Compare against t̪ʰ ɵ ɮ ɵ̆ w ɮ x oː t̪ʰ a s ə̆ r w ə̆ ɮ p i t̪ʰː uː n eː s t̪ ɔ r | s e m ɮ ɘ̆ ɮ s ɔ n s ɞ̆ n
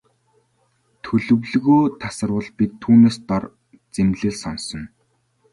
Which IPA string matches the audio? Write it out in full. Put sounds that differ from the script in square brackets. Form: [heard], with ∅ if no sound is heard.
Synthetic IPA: t̪ʰ ɵ ɮ ɵ̆ w ɮ [ɣ] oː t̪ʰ a s ə̆ r w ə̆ ɮ p i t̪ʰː uː n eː s t̪ ɔ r | [t͡s] e m ɮ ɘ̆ ɮ s ɔ n s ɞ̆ n